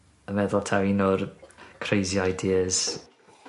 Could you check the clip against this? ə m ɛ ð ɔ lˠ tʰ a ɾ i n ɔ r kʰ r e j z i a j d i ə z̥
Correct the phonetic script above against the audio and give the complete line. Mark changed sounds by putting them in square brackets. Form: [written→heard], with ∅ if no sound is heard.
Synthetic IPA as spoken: ə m ɛ ð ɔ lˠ tʰ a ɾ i n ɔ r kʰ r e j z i a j d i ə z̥